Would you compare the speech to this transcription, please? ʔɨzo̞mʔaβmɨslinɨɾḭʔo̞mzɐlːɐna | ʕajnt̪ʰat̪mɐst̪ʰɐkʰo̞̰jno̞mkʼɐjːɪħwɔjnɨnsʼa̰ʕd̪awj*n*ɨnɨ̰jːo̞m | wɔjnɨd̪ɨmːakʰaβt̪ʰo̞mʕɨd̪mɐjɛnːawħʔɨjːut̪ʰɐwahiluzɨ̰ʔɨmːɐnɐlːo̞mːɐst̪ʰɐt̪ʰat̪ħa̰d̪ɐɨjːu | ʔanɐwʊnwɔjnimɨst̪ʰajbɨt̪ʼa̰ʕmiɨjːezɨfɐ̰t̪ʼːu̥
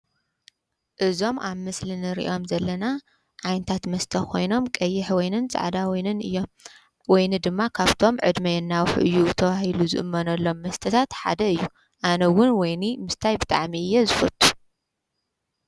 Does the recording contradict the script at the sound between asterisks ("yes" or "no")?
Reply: no